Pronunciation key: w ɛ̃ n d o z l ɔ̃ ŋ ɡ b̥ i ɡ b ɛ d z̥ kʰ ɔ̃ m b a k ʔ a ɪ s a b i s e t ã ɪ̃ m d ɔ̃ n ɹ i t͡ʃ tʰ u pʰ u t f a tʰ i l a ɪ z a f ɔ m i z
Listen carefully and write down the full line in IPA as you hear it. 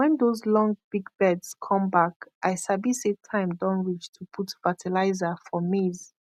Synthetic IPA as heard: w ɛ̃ n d o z l ɔ̃ ŋ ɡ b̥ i ɡ b ɛ d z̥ kʰ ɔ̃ m b a k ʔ a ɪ s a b i s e tʰ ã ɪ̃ m d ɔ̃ n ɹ i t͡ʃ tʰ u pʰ u t f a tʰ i l a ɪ z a f ɔ m i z